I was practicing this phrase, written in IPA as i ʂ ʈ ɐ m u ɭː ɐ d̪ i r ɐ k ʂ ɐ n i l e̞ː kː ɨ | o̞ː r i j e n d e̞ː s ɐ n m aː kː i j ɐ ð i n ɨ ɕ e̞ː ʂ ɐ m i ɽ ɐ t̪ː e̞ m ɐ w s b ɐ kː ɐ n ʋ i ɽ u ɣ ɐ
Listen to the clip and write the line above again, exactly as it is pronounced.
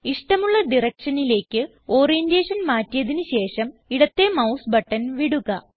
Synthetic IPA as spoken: i ʂ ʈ ɐ m u ɭː ɐ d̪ i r ɐ k ʂ ɐ n i l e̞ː kː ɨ | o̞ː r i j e n d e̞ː ʂ ɐ n m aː tː i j ɐ ð i n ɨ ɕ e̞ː ʂ ɐ m i ɽ ɐ t̪ː e̞ m ɐ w s b ɐ ʈː ɐ n ʋ i ɽ u ɣ ɐ